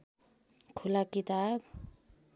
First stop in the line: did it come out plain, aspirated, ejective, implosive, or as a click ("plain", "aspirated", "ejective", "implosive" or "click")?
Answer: aspirated